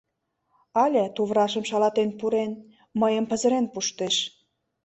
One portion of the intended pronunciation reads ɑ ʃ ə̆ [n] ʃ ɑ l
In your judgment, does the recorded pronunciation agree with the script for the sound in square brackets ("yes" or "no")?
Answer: no